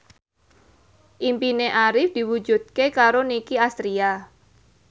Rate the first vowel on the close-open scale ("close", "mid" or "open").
close